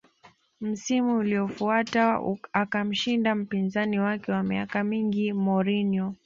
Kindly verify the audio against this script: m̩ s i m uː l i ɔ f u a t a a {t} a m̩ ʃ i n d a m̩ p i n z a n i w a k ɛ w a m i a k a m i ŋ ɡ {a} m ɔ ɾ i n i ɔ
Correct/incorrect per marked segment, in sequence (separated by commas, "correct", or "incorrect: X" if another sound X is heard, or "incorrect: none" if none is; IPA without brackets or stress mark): incorrect: k, incorrect: i